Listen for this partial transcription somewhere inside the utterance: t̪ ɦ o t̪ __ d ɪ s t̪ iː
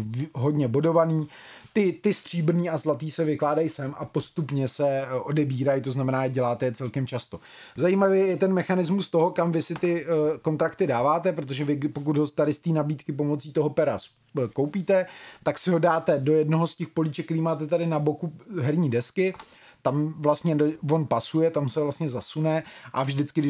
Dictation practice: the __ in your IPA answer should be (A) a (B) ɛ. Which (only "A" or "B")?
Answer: A